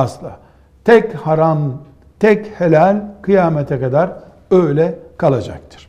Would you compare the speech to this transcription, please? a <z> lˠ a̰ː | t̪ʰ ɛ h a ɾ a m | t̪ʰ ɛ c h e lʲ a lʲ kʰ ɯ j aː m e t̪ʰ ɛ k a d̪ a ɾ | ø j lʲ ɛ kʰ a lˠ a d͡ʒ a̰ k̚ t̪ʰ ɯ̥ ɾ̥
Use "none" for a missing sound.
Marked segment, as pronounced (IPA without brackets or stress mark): s